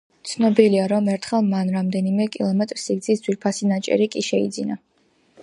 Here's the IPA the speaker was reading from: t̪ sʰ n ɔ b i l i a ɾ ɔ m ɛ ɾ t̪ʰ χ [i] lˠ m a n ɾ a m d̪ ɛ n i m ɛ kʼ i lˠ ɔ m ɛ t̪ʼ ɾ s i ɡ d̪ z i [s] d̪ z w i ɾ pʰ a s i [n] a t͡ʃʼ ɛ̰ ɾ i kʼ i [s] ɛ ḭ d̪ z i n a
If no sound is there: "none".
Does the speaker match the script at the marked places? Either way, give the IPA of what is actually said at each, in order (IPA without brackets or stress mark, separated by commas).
ɛ, s, n, ʃ